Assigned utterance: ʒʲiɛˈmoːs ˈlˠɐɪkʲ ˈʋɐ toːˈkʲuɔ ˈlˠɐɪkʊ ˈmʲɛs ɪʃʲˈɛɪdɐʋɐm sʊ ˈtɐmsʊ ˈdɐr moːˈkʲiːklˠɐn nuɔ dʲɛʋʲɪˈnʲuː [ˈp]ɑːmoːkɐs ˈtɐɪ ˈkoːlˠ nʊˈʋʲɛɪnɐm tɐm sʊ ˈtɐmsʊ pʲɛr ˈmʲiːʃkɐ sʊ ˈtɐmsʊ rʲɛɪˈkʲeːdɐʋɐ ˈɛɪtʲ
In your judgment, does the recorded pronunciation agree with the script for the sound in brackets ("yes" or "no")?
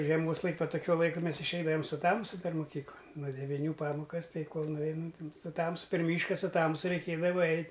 yes